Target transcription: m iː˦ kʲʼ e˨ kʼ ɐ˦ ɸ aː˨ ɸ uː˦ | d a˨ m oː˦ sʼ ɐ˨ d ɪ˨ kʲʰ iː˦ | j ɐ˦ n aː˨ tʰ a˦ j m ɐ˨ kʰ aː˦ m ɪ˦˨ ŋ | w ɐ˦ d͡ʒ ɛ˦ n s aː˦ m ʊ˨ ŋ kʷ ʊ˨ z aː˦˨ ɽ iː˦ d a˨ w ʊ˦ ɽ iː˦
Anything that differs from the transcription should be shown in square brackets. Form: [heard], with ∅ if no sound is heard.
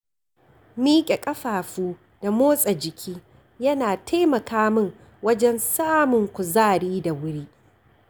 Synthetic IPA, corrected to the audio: m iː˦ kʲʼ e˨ kʼ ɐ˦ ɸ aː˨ ɸ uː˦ | d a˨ m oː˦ sʼ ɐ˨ [d͡ʒ] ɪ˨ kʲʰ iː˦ | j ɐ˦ n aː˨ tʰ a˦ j m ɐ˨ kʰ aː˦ m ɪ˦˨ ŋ | w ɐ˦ d͡ʒ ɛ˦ n s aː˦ m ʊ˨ ŋ kʷ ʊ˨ z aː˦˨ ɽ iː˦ d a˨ w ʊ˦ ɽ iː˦

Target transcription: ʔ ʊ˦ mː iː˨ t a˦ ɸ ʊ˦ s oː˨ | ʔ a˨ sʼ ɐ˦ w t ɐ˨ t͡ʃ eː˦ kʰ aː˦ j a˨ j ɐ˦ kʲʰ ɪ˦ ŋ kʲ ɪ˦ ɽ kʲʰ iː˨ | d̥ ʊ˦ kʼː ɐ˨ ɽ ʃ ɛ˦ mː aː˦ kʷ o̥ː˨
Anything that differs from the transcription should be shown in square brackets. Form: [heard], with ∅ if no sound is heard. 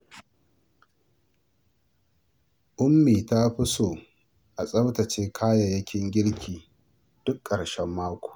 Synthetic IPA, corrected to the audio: ʔ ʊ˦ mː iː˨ t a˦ ɸ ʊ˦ s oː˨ | ʔ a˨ sʼ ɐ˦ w t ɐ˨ t͡ʃ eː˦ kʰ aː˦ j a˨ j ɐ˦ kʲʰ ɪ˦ ŋ [ɡʲ] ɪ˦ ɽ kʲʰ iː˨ | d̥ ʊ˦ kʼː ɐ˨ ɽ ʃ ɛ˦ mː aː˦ kʷ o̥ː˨

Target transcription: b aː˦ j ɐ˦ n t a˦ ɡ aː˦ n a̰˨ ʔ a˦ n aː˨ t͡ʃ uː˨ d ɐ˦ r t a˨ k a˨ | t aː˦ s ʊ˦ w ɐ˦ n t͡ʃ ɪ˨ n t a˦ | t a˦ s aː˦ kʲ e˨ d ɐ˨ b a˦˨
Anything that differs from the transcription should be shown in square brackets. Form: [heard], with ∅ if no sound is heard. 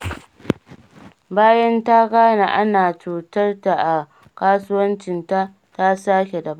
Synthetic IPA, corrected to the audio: b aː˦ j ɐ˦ n t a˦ ɡ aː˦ n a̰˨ ʔ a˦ n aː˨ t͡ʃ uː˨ [t] ɐ˦ r t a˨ [ʔ] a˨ | [k] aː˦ s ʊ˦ w ɐ˦ n t͡ʃ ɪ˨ n t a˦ | t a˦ s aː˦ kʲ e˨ d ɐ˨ b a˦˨

